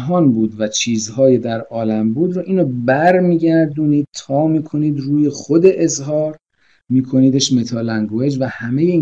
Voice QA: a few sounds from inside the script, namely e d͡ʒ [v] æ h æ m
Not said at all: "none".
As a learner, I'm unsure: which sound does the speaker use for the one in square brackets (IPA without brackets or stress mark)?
v